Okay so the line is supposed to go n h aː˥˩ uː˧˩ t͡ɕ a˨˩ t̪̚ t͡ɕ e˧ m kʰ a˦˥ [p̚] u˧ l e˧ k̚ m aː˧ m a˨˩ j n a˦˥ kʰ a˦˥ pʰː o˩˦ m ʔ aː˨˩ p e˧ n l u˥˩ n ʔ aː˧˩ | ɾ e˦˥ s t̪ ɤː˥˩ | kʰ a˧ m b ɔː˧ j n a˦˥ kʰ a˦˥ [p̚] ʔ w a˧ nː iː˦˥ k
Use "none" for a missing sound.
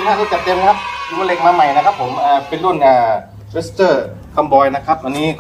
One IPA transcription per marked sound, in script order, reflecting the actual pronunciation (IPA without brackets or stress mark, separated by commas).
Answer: p̚, p̚